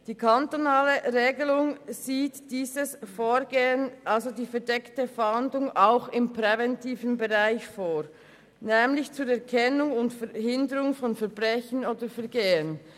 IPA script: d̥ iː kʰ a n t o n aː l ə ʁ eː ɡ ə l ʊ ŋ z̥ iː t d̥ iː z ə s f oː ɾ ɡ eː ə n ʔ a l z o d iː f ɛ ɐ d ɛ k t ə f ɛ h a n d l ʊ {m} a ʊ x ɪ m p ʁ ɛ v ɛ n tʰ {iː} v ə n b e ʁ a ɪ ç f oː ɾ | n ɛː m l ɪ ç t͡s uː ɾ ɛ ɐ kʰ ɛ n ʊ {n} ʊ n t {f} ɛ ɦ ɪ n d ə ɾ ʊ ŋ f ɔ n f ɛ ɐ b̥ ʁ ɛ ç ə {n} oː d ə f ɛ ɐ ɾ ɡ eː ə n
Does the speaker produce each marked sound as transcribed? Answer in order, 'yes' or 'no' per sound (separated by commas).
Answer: no, yes, no, yes, yes